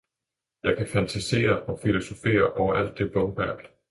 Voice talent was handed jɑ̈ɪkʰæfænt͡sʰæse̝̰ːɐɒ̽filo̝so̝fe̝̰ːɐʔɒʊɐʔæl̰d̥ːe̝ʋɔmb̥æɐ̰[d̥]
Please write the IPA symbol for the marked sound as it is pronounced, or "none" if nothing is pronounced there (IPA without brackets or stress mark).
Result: d̥